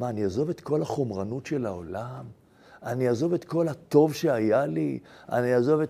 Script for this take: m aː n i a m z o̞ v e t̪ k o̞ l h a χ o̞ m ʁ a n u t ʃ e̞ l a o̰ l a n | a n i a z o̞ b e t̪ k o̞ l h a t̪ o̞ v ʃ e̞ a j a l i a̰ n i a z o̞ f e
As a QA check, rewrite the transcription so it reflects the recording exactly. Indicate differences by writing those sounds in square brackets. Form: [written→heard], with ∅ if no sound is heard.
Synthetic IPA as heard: m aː n i a [m→∅] z o̞ v e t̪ k o̞ l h a χ o̞ m ʁ a n u t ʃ e̞ l a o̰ l a [n→m] | a n i a z o̞ [b→v] e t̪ k o̞ l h a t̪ o̞ v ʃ e̞ a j a l i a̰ n i a z o̞ [f→v] e